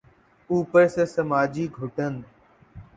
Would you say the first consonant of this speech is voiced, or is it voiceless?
voiceless